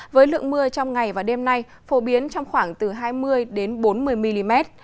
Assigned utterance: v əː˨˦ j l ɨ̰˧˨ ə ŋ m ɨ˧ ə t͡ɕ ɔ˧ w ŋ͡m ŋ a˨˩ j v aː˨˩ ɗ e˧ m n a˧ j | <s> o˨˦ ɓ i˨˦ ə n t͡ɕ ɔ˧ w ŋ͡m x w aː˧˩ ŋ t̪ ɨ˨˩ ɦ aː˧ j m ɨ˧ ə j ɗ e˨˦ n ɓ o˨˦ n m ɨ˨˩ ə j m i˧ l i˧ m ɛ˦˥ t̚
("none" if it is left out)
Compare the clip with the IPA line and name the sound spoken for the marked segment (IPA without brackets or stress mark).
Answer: f